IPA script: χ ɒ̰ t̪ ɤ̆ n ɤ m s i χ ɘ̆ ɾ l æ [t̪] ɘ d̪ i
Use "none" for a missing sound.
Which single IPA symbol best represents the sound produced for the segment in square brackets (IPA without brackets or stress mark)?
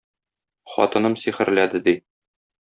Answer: d̪